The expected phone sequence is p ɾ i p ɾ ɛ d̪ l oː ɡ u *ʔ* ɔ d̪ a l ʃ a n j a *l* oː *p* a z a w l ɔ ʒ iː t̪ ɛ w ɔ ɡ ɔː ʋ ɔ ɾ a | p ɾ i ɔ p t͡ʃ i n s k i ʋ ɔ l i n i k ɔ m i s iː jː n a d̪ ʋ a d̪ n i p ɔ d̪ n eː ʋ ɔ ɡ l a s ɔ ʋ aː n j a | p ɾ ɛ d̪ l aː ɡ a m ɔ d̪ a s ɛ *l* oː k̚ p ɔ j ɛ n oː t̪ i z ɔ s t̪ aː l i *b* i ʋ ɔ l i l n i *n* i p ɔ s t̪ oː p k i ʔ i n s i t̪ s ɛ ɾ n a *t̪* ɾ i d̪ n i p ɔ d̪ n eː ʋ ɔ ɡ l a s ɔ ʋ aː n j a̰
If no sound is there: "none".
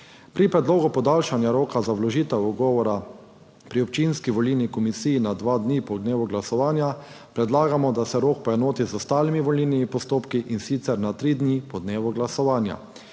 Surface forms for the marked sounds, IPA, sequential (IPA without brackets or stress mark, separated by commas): p, ɾ, k, ɾ, m, m, t̪